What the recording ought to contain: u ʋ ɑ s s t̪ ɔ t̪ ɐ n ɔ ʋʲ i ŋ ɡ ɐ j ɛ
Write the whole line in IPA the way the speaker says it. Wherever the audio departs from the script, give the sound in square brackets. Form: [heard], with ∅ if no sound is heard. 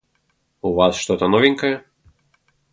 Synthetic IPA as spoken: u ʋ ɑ s [ʃ] t̪ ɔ t̪ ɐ n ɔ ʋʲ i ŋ [k] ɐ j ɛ